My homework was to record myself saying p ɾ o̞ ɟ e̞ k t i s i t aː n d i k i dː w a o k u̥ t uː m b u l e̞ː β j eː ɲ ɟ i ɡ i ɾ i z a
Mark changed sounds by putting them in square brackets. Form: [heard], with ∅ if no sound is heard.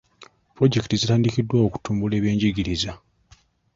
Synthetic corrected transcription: p ɾ o̞ ɟ e̞ k t i [z] i t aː n d i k i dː w a o k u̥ t uː m b u l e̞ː β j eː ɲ ɟ i ɡ i ɾ i z a